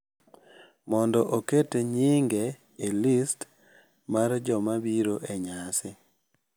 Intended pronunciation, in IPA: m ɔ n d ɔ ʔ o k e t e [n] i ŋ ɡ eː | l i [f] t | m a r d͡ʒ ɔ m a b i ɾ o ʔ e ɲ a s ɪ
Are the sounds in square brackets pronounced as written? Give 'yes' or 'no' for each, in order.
no, no

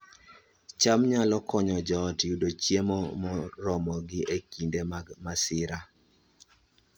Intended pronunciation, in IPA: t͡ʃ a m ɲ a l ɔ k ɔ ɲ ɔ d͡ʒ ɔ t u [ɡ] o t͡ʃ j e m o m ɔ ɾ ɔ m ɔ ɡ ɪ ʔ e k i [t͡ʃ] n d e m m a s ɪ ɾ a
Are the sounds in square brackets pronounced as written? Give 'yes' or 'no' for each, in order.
no, no

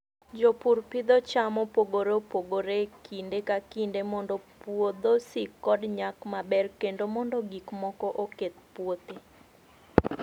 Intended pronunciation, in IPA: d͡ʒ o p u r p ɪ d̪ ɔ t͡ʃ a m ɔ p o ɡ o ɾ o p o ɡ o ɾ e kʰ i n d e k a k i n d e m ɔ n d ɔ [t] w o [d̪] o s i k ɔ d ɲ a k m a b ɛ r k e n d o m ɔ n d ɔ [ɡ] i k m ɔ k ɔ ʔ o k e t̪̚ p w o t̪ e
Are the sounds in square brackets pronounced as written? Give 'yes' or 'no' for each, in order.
no, yes, yes

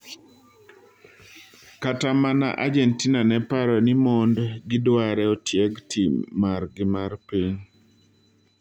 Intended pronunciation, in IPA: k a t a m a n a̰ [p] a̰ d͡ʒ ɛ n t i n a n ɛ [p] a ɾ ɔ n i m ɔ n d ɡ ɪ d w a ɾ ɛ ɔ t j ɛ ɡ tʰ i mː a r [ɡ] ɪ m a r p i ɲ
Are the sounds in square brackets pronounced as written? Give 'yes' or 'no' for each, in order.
no, yes, yes

